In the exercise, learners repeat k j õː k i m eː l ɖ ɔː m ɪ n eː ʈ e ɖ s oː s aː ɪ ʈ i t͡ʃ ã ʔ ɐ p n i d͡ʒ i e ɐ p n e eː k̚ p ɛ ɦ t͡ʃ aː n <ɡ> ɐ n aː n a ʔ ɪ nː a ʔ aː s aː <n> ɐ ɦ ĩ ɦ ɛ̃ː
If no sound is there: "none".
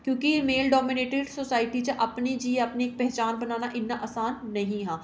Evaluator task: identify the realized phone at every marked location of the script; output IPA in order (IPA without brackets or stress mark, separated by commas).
b, nː